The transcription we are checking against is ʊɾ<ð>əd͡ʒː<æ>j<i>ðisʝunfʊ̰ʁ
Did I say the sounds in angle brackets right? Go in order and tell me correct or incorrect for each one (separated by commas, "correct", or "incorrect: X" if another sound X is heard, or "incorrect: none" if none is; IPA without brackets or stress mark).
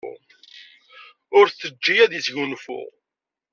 incorrect: θ, incorrect: i, incorrect: æ